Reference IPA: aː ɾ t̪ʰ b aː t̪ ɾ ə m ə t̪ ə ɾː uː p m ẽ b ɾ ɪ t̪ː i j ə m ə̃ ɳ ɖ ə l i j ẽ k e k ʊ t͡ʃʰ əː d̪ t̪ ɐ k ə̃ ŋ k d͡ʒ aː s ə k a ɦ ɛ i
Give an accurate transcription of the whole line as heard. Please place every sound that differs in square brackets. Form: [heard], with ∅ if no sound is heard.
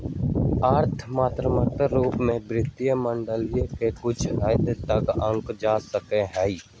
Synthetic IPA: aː ɾ t̪ʰ [m] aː t̪ ɾ ə m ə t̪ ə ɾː uː p m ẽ b ɾ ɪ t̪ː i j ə m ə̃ ɳ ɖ ə l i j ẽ k e k ʊ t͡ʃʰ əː d̪ t̪ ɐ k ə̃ ŋ k d͡ʒ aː s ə k [e] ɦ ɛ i